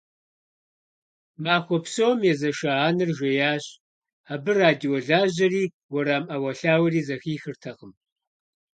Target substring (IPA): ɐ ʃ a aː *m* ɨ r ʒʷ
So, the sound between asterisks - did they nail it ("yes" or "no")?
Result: no